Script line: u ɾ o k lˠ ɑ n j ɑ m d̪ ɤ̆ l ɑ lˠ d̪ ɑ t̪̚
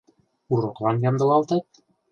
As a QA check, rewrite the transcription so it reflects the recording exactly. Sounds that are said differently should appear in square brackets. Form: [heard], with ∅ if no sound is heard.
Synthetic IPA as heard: u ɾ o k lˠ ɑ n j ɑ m d̪ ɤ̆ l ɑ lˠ [t̪] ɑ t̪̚